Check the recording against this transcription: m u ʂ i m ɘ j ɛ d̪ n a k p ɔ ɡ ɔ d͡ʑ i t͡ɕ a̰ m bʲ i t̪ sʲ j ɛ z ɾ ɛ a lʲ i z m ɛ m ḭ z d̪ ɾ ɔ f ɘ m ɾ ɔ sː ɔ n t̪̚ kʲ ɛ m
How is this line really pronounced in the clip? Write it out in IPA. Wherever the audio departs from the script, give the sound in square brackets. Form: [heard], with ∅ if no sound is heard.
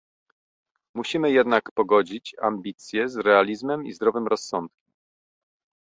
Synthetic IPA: m u [ɕ] i m ɘ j ɛ d̪ n a k p ɔ ɡ ɔ d͡ʑ i t͡ɕ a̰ m bʲ i t̪ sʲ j ɛ z ɾ ɛ a lʲ i z m ɛ m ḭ z d̪ ɾ ɔ [v] ɘ m ɾ ɔ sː ɔ n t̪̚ kʲ ɛ m